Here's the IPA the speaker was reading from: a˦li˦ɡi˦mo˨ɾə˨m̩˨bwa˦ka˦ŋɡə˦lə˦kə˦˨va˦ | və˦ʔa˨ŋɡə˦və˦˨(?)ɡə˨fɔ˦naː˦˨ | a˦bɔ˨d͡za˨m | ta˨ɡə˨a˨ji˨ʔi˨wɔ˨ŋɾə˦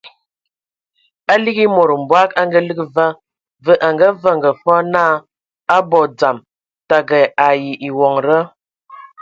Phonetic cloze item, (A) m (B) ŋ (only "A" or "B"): B